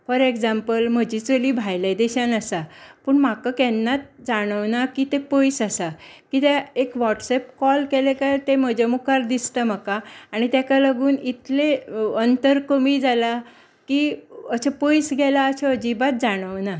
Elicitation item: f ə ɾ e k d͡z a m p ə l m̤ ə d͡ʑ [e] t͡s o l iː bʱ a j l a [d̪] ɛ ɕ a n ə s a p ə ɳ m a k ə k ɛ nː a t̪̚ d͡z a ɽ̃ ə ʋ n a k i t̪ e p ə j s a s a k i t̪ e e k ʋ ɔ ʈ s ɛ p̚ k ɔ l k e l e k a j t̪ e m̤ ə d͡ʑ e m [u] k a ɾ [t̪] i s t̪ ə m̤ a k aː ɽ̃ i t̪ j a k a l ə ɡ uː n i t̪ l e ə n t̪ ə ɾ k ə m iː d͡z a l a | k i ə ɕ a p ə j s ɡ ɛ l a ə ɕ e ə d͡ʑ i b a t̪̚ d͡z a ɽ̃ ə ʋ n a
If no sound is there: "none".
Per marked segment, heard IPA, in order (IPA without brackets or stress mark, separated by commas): i, d̪, u, d̪